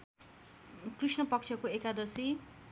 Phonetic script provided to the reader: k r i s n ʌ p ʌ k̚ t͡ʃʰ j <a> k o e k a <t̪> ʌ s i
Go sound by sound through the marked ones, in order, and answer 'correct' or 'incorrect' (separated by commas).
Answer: incorrect, incorrect